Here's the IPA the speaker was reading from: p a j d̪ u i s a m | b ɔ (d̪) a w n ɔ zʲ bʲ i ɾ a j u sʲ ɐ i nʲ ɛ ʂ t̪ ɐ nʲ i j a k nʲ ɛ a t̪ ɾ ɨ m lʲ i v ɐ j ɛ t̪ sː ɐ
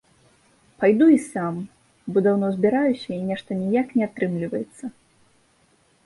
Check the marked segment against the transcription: correct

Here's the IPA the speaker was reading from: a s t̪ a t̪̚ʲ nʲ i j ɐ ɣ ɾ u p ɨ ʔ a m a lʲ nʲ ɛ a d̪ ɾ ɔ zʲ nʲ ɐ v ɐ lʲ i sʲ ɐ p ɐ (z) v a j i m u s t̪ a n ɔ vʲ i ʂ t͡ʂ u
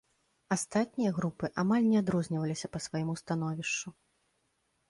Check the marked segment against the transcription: incorrect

